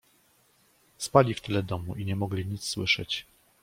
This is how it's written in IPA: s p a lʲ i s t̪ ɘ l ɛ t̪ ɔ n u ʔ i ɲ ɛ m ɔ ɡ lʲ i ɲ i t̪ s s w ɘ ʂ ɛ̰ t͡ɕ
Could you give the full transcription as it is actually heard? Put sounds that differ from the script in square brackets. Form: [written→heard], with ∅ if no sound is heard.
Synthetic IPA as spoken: s p a lʲ i [s→f] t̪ ɘ l ɛ [t̪→d̪] ɔ [n→m] u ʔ i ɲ ɛ m ɔ ɡ lʲ i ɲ i t̪ s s w ɘ ʂ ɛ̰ t͡ɕ